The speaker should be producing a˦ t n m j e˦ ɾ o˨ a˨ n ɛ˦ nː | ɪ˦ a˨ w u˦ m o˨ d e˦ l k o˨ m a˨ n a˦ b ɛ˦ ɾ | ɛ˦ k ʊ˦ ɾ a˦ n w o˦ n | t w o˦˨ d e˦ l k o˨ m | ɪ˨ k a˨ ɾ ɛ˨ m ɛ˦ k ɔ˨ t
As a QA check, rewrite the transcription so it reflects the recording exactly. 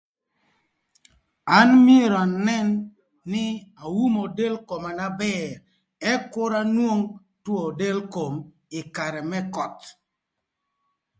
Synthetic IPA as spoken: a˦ n m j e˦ ɾ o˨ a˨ n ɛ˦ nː | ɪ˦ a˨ w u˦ m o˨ d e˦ l k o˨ m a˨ n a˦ b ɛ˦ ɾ | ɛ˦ k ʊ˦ ɾ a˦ n w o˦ ŋ | t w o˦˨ d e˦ l k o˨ m | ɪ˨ k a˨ ɾ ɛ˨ m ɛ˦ k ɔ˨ t